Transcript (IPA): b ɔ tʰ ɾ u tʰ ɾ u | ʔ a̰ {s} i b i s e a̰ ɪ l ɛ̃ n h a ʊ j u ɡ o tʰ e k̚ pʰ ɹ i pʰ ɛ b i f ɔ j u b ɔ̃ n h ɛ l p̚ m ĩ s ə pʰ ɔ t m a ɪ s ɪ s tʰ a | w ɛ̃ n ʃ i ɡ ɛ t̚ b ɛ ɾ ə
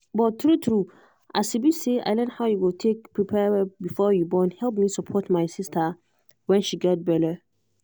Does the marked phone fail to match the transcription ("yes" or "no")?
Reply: no